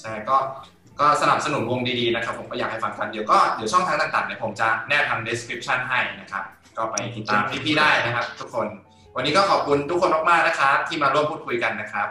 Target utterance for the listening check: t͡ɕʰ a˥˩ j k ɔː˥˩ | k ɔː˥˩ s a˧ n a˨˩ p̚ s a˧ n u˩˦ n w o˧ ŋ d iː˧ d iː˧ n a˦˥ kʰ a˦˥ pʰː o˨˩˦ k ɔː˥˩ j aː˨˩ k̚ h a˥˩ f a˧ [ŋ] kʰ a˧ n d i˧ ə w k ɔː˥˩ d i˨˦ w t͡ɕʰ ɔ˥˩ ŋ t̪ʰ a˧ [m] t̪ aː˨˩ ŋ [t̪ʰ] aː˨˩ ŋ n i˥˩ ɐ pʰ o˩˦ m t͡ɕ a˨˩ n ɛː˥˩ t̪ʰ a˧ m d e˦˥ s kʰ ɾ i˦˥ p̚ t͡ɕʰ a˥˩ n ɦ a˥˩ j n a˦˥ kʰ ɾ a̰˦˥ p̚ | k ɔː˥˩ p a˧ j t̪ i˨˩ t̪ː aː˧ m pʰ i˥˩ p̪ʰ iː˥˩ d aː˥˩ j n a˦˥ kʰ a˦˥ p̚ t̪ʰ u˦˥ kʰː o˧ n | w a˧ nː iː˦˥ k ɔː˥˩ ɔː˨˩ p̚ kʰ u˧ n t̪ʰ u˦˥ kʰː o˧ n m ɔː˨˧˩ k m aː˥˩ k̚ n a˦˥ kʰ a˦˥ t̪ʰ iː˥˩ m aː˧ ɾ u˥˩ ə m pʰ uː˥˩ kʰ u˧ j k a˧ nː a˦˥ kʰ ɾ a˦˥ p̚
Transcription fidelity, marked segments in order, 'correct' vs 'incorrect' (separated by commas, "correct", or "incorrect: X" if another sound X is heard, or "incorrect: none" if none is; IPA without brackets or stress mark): correct, incorrect: ŋ, incorrect: t̪